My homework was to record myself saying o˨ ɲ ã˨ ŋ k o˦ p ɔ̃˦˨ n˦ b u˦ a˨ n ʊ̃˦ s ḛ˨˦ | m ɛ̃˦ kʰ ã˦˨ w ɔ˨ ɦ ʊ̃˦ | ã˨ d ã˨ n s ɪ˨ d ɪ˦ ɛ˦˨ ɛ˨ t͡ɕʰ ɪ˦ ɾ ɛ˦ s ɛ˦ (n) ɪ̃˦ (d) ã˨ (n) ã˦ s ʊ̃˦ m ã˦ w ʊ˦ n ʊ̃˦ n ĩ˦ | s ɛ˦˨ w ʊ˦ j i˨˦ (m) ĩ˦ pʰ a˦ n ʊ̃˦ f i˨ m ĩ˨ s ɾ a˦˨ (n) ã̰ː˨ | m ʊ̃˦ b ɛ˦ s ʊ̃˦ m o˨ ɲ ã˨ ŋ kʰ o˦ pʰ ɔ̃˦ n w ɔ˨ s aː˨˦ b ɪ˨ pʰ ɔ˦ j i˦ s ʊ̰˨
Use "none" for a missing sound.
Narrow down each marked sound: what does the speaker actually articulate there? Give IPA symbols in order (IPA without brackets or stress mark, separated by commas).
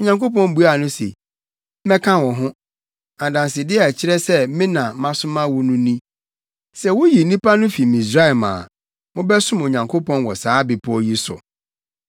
m, n, m, n, m